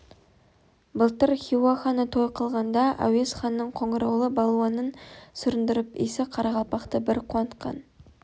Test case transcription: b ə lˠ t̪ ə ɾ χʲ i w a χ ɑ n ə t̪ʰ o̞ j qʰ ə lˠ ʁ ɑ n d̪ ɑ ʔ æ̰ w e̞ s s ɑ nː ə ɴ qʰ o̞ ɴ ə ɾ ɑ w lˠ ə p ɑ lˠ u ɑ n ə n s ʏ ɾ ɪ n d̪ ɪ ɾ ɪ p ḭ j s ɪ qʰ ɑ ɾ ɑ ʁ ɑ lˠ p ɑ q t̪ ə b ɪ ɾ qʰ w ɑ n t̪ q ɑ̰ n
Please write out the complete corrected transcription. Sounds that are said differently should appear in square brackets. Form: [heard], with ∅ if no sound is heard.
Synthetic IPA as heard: b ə lˠ t̪ ə ɾ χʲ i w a χ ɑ n ə t̪ʰ o̞ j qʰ ə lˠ ʁ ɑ n d̪ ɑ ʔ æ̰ w e̞ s [χ] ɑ nː ə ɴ qʰ o̞ ɴ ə ɾ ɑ w lˠ ə [b] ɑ lˠ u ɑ n ə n s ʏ ɾ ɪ n d̪ ɪ ɾ ɪ p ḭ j s ɪ qʰ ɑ ɾ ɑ ʁ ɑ lˠ p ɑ q t̪ ə b ɪ ɾ qʰ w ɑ n t̪ q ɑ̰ n